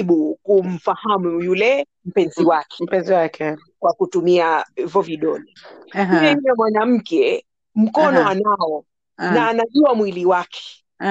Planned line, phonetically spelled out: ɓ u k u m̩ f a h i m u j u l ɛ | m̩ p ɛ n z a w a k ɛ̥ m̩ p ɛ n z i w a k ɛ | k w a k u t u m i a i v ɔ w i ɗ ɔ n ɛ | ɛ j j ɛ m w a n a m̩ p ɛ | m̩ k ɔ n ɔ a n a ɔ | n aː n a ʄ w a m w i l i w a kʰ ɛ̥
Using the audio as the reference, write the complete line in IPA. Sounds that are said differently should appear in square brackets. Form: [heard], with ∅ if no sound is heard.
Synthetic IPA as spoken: ɓ u k u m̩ f a h [a] m u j u l ɛ | m̩ p ɛ n z [i] w a k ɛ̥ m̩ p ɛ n z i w a k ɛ | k w a k u t u m i a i v ɔ [v] i ɗ ɔ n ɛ | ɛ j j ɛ m w a n a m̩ [k] ɛ | m̩ k ɔ n ɔ a n a ɔ | n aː n a ʄ [u] a m w i l i w a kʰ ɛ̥